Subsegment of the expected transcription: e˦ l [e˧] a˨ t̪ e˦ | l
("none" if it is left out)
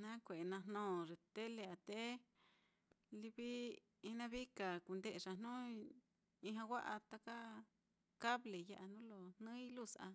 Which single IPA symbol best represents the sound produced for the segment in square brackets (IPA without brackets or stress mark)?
e˧